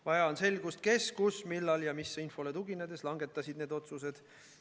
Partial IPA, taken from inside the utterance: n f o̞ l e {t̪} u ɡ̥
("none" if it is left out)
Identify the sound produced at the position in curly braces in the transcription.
t̪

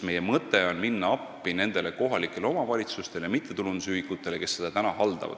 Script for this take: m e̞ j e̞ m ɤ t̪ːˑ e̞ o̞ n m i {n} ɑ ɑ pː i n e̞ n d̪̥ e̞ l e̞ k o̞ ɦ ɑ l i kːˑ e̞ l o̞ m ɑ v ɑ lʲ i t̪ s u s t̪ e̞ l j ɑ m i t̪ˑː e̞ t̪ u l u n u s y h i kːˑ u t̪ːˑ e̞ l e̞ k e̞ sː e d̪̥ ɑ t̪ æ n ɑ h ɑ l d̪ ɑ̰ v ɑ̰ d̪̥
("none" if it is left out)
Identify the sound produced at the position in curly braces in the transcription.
nː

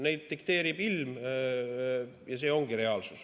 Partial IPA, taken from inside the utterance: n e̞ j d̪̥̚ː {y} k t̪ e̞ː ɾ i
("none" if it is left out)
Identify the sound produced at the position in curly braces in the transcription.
i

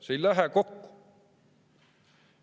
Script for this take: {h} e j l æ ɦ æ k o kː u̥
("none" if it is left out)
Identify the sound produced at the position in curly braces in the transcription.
s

